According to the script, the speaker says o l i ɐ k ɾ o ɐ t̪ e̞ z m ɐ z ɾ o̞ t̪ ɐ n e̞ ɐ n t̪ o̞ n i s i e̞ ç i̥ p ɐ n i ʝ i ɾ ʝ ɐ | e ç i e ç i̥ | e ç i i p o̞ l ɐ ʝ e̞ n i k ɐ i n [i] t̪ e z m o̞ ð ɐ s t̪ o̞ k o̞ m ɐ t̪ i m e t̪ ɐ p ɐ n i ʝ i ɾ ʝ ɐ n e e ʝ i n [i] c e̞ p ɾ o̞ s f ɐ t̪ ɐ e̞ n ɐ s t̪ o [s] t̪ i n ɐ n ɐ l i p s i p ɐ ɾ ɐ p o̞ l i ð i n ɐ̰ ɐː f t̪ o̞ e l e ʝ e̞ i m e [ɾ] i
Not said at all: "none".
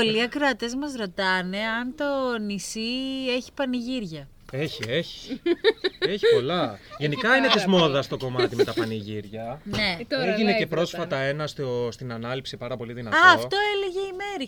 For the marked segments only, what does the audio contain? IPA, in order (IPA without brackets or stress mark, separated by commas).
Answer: e, e, s, ɾ